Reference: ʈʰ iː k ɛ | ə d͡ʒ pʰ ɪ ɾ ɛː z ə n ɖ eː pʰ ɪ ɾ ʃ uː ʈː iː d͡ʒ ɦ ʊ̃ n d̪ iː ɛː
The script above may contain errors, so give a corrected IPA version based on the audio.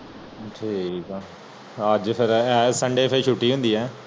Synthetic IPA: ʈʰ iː k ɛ | ə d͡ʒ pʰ ɪ ɾ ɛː s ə ɳ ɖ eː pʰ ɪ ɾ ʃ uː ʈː iː ɦ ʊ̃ n d̪ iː ɛː